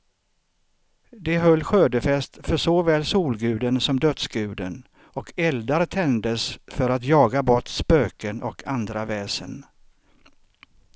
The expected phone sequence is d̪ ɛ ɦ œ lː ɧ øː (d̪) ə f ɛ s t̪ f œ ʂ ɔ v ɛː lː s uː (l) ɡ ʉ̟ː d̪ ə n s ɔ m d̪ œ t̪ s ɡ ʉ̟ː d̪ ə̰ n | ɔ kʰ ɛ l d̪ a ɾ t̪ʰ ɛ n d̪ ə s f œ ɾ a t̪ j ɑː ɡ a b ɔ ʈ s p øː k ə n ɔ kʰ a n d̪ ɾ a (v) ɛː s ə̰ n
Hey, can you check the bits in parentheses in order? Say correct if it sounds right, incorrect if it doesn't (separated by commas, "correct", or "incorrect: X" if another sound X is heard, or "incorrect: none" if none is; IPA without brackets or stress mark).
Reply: correct, correct, correct